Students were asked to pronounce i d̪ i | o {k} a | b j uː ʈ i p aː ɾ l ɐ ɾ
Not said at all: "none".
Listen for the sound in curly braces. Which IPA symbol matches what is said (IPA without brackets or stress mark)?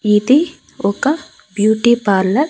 k